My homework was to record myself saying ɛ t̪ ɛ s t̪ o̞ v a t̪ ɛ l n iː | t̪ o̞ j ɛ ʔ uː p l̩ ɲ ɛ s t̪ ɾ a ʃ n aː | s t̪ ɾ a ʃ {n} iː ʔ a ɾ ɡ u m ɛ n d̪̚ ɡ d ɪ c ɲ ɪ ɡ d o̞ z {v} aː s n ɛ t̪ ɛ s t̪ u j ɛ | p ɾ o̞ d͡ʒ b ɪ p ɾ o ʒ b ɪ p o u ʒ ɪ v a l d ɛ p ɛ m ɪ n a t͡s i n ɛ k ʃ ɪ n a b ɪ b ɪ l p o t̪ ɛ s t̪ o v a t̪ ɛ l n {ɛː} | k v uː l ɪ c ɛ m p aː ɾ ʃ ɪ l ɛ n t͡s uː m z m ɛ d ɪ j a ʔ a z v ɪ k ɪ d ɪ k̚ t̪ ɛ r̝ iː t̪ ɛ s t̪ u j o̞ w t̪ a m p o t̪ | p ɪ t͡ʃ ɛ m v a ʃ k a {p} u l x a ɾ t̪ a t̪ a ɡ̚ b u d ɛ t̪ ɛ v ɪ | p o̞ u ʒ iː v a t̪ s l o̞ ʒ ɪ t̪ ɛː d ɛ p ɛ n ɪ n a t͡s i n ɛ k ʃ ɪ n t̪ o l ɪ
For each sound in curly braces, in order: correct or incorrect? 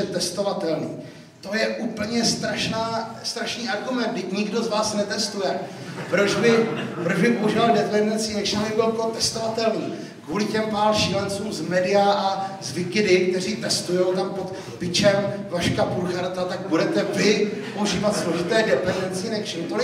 correct, correct, incorrect: iː, correct

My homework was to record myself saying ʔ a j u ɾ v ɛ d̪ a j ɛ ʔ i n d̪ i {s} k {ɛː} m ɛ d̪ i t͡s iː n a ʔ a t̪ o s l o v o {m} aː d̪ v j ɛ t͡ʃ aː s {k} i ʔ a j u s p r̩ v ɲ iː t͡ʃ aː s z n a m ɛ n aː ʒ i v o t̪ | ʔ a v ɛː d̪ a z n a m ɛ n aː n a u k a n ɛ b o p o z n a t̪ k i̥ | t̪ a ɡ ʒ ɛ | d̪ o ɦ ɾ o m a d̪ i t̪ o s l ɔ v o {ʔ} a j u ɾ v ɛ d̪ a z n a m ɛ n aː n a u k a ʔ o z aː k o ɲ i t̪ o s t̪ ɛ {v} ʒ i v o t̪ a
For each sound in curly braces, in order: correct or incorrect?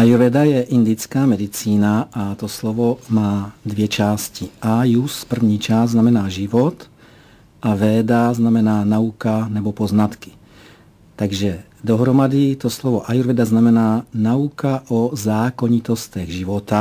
incorrect: t͡s, incorrect: aː, correct, incorrect: c, correct, incorrect: ɣ

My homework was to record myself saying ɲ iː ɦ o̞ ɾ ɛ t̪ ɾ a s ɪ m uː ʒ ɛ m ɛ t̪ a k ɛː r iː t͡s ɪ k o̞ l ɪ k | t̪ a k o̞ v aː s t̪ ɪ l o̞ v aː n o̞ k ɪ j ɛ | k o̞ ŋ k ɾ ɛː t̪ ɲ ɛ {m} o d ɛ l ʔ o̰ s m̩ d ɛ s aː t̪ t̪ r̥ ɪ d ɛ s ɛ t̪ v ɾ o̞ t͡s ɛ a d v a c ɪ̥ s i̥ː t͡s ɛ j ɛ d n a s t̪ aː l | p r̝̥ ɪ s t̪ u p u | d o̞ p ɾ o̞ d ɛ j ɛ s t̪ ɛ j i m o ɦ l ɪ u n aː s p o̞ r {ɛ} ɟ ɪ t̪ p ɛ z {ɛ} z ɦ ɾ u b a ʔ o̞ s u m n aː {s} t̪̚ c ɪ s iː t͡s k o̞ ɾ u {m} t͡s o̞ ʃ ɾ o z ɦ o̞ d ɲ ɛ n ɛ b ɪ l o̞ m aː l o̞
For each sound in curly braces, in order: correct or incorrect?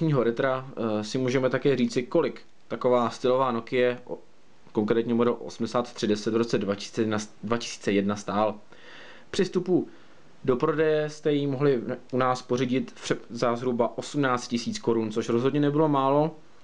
correct, incorrect: i, incorrect: a, incorrect: t͡s, incorrect: n

